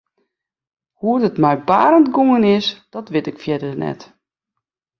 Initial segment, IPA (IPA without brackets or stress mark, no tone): h